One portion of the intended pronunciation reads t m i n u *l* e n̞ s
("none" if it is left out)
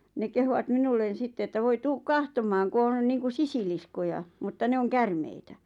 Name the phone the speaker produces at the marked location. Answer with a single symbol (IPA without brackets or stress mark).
lː